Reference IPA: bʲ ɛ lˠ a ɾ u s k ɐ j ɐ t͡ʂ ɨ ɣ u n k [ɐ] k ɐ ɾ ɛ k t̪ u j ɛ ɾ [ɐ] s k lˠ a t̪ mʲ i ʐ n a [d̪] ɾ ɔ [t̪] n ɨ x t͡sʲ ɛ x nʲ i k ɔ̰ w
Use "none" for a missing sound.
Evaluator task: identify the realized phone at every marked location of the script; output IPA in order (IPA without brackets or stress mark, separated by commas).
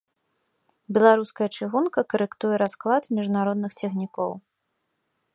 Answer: ɐ, a, none, d̪